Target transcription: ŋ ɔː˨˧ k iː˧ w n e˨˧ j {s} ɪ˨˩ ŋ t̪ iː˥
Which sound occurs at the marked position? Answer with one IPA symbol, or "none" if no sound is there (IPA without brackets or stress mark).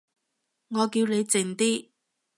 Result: t͡s